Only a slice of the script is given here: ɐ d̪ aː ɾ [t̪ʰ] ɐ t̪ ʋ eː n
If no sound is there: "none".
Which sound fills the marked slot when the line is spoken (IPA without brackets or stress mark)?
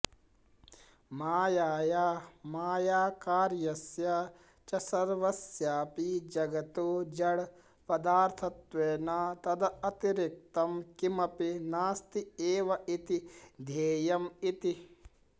t̪ʰ